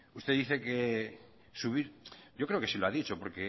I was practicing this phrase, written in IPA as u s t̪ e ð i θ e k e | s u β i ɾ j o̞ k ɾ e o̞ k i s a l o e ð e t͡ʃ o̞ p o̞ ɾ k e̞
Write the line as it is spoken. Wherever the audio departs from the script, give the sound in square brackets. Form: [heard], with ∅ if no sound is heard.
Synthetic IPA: u s t̪ e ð i θ e k e | s u β i ɾ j o̞ k ɾ e o̞ k [e] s [i] l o [a] ð [i] t͡ʃ o̞ p o̞ ɾ k e̞